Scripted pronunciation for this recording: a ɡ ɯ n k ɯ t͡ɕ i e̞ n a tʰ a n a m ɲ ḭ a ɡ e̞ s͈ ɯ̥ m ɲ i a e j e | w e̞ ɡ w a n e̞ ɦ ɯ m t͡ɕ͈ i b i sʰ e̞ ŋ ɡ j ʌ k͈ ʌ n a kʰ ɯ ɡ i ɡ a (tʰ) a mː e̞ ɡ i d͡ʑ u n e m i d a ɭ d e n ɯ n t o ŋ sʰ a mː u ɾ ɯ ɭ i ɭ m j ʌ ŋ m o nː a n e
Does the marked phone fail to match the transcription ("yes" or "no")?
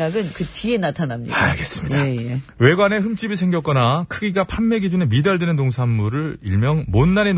yes